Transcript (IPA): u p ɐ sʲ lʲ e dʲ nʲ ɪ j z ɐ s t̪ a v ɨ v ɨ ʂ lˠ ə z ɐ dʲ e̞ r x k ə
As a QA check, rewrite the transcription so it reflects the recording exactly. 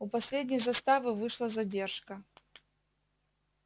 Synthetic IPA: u p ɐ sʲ lʲ e dʲ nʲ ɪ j z ɐ s t̪ a v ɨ v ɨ ʂ lˠ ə z ɐ dʲ e̞ r ʂ k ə

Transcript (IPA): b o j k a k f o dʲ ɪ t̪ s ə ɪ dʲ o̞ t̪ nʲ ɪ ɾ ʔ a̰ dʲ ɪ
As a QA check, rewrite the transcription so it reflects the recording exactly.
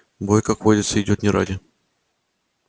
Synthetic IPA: b o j k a k v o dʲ ɪ t̪ s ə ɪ dʲ o̞ t̪ nʲ ɪ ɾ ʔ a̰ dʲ ɪ

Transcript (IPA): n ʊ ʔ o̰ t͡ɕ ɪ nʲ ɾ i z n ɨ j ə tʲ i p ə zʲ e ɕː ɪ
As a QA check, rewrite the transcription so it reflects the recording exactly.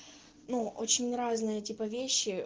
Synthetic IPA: n u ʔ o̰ t͡ɕ ɪ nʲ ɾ a z n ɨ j ə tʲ i p ə vʲ e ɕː ɪ

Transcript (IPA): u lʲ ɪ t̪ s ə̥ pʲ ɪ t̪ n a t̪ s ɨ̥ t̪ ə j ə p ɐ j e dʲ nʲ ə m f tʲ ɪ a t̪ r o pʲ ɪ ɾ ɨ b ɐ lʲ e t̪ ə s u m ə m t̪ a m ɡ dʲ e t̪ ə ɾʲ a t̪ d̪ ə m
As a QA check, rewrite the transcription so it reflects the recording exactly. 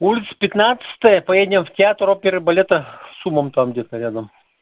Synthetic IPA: u lʲ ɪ t̪ s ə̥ pʲ ɪ t̪ n a t̪ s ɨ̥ t̪ ə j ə p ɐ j e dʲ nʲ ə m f tʲ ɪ a t̪ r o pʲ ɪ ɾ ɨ b ɐ lʲ e t̪ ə s u m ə m t̪ a m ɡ dʲ e t̪ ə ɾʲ a d̪ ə m

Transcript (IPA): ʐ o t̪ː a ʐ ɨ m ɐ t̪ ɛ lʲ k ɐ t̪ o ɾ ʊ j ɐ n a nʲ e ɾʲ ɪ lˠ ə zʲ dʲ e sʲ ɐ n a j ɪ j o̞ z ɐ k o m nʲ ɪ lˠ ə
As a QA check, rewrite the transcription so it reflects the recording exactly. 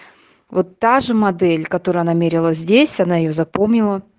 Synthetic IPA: v o t̪ː a ʐ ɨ m ɐ d̪ ɛ lʲ k ɐ t̪ o ɾ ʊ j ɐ n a mʲ e ɾʲ ɪ lˠ ə zʲ dʲ e sʲ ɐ n a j ɪ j o̞ z ɐ p o m nʲ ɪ lˠ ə

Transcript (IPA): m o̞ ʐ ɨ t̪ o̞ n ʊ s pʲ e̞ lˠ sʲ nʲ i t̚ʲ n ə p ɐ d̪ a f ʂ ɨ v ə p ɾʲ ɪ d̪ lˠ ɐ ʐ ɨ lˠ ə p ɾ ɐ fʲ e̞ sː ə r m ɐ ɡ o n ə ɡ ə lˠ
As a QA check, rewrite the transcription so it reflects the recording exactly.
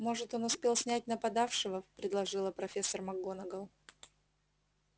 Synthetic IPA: m o̞ ʐ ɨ t̪ o̞ n ʊ s pʲ e̞ lˠ sʲ nʲ æ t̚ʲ n ə p ɐ d̪ a f ʂ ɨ v ə p ɾʲ ɪ d̪ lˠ ɐ ʐ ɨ lˠ ə p ɾ ɐ fʲ e̞ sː ə r m ɐ ɡ o n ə ɡ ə lˠ

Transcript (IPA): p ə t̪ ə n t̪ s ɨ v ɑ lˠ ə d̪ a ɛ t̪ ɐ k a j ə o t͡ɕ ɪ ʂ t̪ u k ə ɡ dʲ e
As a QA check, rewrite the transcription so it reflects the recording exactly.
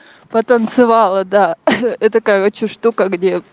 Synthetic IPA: p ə t̪ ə n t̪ s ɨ v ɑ lˠ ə d̪ a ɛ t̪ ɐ k a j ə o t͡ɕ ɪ ʂ t̪ u k ə ɡ dʲ e

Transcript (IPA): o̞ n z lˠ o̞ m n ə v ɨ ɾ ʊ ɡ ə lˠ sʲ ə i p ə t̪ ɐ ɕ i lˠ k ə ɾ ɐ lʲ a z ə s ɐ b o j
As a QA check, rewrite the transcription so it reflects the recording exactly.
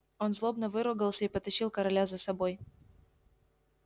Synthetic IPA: o̞ n z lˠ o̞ b n ə v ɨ ɾ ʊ ɡ ə lˠ sʲ ə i p ə t̪ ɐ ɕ i lˠ k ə ɾ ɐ lʲ a z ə s ɐ b o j

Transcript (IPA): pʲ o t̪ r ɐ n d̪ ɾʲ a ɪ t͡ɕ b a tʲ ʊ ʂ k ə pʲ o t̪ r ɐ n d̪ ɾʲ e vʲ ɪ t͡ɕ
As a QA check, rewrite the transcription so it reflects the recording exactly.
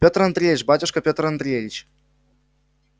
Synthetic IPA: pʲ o t̪ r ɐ n d̪ ɾʲ e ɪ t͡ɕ b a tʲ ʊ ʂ k ə pʲ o t̪ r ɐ n d̪ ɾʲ e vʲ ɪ t͡ɕ

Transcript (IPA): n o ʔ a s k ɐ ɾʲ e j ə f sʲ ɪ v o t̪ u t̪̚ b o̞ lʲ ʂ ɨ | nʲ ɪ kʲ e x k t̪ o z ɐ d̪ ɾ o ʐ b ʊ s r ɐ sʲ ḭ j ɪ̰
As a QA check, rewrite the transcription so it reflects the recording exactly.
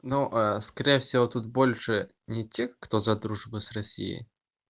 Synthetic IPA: n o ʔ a s k ɐ ɾʲ e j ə f sʲ ɪ v o t̪ u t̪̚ b o̞ lʲ ʂ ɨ | nʲ ɪ tʲ e x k t̪ o z ɐ d̪ ɾ u ʐ b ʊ s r ɐ sʲ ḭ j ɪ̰

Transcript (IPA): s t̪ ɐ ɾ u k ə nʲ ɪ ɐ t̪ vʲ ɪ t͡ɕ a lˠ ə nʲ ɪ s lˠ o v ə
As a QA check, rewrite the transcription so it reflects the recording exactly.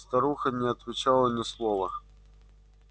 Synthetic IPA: s t̪ ɐ ɾ u x ə nʲ ɪ ɐ t̪ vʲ ɪ t͡ɕ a lˠ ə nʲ ɪ s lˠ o v ə

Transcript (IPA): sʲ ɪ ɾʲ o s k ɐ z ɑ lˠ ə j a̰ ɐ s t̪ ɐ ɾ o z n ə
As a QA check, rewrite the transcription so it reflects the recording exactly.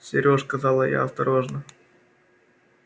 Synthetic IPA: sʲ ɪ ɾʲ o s k ɐ z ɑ lˠ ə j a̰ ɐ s t̪ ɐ ɾ o ʐ n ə

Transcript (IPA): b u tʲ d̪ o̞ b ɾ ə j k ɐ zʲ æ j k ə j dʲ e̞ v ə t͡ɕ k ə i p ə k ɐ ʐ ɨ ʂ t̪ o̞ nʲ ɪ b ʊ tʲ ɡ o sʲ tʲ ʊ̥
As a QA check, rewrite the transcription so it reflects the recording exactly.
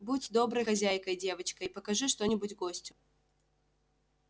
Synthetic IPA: b u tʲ d̪ o̞ b ɾ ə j x ɐ zʲ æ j k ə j dʲ e̞ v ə t͡ɕ k ə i p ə k ɐ ʐ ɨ ʂ t̪ o̞ nʲ ɪ b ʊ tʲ ɡ o sʲ tʲ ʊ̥

